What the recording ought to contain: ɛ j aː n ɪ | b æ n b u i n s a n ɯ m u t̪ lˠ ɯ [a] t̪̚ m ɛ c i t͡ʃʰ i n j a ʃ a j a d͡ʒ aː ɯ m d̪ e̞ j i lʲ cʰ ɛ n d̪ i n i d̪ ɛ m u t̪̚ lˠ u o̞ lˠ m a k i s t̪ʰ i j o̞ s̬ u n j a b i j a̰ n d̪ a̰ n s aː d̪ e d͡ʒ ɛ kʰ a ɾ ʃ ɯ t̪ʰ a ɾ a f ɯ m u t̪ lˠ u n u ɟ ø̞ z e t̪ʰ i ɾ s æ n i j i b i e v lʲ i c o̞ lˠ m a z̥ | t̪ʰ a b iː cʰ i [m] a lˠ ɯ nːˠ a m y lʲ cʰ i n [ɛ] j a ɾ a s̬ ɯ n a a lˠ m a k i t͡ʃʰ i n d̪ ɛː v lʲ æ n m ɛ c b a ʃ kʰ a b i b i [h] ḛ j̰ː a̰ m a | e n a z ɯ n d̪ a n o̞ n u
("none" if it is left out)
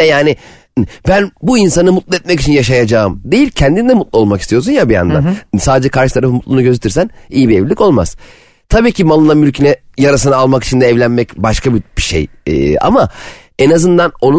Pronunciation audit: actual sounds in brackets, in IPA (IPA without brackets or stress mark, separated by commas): ɛ, m, ɛ, ʃ